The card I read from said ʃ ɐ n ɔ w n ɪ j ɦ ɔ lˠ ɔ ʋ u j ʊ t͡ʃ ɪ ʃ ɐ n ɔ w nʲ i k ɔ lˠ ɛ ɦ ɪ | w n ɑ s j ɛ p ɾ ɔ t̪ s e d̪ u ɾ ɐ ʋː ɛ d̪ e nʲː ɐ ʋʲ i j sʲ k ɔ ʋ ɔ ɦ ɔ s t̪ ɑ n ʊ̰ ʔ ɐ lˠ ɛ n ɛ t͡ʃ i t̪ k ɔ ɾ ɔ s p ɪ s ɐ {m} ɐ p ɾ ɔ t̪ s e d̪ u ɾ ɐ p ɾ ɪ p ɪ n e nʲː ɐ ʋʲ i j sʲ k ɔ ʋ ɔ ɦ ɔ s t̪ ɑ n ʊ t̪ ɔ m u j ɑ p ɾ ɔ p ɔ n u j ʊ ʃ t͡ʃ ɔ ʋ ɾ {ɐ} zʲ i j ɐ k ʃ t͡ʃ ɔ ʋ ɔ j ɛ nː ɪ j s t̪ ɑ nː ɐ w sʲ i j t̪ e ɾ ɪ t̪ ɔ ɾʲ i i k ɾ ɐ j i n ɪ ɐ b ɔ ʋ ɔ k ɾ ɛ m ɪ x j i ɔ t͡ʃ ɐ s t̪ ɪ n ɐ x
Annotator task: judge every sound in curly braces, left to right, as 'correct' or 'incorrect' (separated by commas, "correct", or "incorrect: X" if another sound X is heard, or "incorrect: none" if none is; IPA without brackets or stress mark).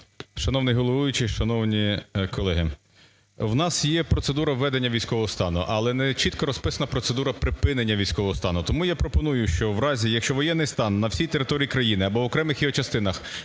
incorrect: n, incorrect: ɑ